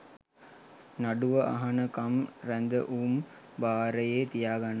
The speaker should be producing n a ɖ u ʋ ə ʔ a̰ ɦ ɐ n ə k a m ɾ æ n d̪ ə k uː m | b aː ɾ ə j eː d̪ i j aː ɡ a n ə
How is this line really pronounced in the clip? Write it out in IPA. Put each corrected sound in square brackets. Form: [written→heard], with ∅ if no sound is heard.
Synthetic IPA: n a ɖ u ʋ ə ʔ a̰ ɦ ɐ n ə k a m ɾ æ n d̪ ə [k→ʔ] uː m | b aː ɾ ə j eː [d̪→t̪] i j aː ɡ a n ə